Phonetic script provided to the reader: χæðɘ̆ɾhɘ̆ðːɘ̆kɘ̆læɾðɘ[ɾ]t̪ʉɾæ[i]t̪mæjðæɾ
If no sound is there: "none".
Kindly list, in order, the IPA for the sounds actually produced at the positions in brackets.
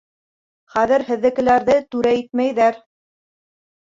none, i

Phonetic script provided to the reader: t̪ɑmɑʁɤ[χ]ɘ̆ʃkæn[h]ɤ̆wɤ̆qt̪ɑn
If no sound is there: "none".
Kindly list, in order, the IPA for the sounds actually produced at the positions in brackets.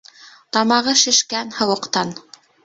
ʃ, h

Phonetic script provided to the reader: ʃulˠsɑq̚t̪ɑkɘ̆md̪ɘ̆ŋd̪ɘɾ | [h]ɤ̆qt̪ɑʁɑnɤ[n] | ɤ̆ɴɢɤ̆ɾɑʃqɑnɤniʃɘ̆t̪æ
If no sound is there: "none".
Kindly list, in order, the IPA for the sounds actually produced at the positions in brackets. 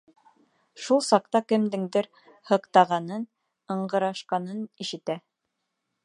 h, n

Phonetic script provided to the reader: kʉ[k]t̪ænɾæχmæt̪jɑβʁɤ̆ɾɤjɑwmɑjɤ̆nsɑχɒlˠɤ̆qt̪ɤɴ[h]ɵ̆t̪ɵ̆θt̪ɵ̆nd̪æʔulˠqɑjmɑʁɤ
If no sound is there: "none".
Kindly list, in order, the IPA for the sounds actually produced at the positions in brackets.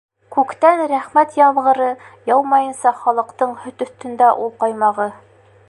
k, h

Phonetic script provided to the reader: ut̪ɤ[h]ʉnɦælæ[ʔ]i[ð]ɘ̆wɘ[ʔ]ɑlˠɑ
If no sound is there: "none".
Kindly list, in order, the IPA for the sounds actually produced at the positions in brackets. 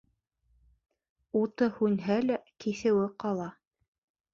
h, k, θ, q

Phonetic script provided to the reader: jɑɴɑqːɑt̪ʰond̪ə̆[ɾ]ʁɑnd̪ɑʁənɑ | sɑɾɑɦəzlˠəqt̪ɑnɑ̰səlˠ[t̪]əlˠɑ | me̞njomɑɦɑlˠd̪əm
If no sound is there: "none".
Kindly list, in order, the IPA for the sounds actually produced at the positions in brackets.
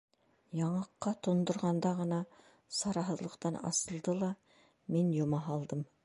ɾ, d̪

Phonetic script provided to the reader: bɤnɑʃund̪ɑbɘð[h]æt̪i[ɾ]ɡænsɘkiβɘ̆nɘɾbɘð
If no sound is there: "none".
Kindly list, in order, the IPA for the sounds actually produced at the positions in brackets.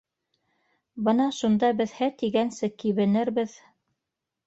h, none

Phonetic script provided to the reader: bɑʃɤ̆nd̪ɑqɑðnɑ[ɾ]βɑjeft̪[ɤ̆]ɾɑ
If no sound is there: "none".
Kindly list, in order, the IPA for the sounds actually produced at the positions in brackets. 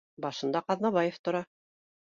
none, ŏ

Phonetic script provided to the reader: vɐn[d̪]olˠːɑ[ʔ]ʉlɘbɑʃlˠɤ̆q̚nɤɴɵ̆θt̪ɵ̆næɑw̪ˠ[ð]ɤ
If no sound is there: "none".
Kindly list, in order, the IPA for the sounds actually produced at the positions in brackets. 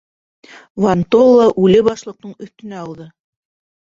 t̪, ʔ, ð

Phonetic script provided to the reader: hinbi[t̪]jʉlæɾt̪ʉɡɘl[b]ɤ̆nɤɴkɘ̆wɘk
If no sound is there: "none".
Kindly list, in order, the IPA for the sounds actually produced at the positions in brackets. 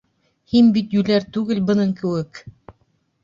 t̪, b

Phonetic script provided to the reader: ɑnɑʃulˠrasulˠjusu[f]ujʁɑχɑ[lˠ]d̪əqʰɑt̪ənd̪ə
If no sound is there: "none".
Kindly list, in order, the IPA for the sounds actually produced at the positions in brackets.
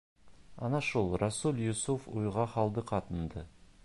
f, lˠ

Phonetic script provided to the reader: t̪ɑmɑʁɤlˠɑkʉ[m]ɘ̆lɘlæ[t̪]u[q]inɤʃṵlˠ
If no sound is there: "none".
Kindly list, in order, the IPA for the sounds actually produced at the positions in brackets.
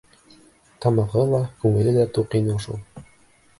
ŋ, t̪, q

